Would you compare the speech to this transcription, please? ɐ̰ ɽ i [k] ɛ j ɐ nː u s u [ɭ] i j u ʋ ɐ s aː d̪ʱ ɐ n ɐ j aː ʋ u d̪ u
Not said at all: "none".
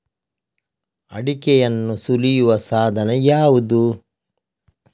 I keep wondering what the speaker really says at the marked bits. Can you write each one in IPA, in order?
k, l

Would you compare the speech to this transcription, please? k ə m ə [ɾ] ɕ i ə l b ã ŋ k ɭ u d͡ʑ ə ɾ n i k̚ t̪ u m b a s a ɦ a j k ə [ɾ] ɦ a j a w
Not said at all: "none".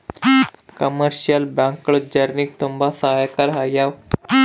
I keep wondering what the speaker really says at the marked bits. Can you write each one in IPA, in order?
ɾ, ɾ

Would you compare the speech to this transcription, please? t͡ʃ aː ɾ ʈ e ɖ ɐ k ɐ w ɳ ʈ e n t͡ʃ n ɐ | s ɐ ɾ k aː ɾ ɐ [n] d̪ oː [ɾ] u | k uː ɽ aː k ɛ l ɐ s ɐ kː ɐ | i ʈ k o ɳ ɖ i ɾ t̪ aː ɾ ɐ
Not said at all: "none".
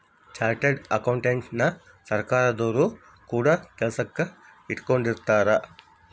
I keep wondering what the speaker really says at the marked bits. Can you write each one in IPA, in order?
none, ɾ

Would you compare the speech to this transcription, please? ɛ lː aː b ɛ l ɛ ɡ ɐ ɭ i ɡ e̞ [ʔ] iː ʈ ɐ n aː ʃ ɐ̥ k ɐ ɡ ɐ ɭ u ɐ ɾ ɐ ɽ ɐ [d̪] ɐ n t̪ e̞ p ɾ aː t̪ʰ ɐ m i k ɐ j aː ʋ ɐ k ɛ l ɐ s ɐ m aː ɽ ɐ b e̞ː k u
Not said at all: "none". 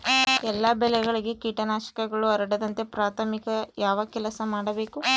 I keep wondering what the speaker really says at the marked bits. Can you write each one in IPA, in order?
k, d̪

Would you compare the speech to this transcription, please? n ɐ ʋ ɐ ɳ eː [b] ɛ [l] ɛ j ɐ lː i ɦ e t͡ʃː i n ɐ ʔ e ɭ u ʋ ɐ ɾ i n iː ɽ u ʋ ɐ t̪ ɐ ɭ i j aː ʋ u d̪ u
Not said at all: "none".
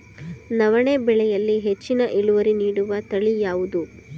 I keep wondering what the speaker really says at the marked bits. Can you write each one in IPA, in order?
b, ɭ

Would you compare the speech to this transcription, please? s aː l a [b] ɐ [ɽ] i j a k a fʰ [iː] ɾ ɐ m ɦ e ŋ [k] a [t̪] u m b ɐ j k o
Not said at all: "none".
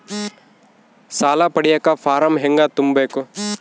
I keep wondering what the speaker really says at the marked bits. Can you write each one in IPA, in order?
p, ɽ, aː, ɡ, t̪

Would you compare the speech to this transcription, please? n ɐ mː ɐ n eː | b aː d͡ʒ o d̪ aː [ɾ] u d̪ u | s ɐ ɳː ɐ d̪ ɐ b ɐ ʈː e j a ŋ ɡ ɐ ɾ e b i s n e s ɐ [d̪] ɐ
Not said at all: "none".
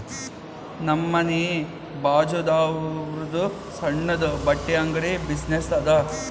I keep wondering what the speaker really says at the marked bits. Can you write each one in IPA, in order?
ɾ, d̪

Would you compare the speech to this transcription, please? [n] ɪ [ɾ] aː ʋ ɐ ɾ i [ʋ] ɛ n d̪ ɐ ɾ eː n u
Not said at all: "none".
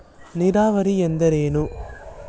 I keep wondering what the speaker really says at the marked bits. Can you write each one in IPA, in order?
n, ɾ, none

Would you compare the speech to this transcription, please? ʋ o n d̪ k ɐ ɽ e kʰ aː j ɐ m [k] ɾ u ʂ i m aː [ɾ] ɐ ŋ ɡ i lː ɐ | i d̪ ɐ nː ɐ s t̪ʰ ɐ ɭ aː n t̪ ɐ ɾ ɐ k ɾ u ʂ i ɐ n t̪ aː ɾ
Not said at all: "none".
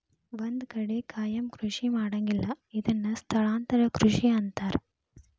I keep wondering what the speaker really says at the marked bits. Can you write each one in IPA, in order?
k, ɽ

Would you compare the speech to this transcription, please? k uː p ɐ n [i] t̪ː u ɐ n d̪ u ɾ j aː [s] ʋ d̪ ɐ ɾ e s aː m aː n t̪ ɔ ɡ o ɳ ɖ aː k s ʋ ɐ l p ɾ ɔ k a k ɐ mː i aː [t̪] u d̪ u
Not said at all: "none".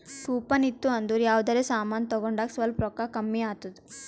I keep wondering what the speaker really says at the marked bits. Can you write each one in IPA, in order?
i, none, t̪

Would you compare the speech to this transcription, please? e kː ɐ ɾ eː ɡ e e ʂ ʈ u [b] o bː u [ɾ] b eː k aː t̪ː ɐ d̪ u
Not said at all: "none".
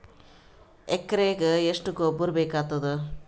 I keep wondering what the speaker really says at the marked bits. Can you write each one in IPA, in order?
ɡ, ɾ

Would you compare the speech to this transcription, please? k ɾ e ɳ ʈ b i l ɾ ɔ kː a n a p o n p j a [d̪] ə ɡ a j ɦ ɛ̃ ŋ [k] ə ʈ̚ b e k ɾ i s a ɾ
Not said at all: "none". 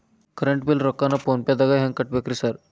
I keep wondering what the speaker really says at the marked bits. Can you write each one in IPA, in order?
d̪, k

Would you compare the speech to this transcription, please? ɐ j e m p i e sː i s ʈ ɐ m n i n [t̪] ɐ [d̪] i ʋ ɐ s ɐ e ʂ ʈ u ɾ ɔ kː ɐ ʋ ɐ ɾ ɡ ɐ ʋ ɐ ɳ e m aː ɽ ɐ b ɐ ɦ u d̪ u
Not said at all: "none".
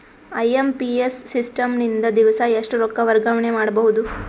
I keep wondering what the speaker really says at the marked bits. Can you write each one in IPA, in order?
d̪, d̪

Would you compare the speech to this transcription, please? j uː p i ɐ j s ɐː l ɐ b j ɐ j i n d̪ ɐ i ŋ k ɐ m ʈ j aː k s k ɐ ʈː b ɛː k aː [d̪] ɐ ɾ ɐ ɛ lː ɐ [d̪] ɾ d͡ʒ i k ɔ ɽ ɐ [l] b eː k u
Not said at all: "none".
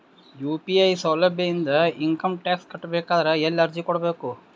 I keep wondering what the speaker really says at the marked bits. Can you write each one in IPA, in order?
d̪, none, none

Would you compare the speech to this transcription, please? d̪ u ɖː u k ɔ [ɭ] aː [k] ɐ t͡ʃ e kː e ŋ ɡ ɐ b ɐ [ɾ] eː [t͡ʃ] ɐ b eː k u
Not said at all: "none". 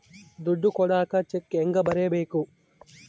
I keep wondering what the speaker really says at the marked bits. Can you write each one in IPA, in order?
ɽ, k, ɾ, none

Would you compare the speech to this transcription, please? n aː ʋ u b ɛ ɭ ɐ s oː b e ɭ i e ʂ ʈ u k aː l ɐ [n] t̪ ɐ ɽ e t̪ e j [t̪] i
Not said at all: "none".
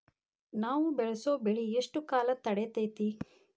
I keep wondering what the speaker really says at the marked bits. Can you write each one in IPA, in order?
none, t̪

